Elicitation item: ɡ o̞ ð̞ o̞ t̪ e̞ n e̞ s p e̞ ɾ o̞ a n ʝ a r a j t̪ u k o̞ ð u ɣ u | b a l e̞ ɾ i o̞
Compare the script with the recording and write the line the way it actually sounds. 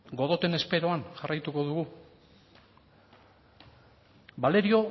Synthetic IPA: ɡ o̞ ð̞ o̞ t̪ e̞ n e̞ s p e̞ ɾ o̞ a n ʝ a r a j t̪ u k o̞ ð u ɣ u | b a l e̞ ɾ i o̞